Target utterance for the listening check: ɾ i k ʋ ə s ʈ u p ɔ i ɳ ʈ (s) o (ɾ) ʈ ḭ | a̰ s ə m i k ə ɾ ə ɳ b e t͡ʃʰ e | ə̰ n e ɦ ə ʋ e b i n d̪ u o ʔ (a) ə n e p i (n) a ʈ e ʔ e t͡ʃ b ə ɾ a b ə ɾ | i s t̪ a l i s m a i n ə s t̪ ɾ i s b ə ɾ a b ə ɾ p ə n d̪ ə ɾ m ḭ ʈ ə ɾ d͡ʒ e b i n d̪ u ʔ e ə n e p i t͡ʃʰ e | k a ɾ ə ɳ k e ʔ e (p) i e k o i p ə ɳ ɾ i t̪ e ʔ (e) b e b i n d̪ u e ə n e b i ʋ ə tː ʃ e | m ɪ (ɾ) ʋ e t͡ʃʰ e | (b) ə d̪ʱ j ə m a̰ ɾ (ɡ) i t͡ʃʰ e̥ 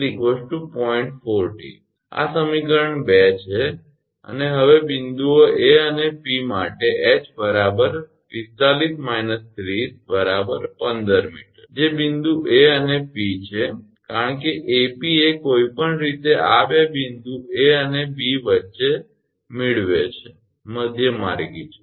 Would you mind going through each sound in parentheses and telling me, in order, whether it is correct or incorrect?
incorrect: f, correct, incorrect: e, incorrect: m, correct, incorrect: a, incorrect: ɭ, incorrect: m, correct

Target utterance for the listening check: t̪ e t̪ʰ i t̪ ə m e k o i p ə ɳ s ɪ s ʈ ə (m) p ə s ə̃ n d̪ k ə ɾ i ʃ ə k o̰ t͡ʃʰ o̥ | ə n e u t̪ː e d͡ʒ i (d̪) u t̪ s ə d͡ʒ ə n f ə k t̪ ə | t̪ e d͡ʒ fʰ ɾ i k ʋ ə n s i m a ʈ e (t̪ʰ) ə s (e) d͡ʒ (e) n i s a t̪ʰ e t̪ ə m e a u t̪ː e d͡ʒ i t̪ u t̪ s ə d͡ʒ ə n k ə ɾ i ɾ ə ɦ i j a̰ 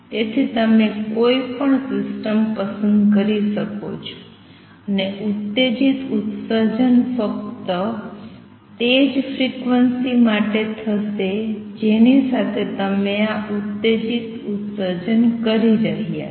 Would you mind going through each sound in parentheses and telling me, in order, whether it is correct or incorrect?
correct, incorrect: t̪, correct, correct, correct

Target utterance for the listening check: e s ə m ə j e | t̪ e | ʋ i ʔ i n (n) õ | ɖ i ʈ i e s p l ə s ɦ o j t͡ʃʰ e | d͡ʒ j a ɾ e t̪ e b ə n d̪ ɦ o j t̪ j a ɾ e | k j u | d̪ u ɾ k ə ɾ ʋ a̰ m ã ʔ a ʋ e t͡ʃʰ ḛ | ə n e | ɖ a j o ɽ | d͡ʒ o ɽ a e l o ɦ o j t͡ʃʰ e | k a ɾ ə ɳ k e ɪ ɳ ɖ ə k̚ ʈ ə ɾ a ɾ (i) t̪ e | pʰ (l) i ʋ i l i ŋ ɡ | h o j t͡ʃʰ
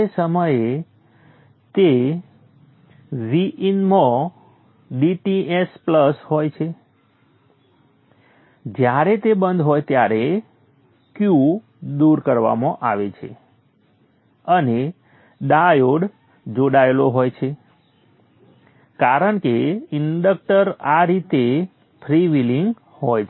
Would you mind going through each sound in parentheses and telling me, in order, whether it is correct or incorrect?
incorrect: m, correct, incorrect: ɾ

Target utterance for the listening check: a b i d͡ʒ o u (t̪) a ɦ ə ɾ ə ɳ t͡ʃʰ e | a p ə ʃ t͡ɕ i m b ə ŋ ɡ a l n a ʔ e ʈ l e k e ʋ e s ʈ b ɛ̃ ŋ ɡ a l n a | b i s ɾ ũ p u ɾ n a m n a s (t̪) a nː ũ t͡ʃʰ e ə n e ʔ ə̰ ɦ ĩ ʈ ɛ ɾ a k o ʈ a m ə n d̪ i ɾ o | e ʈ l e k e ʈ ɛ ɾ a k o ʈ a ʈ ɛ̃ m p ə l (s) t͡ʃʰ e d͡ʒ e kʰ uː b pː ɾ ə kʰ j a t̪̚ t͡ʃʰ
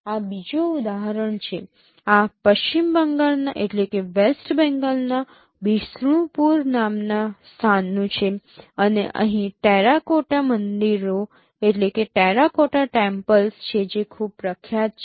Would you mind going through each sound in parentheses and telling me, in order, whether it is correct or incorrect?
incorrect: d̪, incorrect: t̪ʰ, correct

